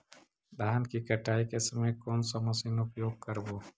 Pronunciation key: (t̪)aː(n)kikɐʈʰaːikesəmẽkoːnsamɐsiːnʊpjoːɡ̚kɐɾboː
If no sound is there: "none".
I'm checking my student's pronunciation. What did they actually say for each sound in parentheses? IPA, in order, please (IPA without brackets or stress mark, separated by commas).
d̪, n